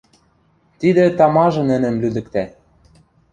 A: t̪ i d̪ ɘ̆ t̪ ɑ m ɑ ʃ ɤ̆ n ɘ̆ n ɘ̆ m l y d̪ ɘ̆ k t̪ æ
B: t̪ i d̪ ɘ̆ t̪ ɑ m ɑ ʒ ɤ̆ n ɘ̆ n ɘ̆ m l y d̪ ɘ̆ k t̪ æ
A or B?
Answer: B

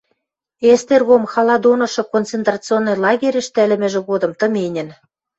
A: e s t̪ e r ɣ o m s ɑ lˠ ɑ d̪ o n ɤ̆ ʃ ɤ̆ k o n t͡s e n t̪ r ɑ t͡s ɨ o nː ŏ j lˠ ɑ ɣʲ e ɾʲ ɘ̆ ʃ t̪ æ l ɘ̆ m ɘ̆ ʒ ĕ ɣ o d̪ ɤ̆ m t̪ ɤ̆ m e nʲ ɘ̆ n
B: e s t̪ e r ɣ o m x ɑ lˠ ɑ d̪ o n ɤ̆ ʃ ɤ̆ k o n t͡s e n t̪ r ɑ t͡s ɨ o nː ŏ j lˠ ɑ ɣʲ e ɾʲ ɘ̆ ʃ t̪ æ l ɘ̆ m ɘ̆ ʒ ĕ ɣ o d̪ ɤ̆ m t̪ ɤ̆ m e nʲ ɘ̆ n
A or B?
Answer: B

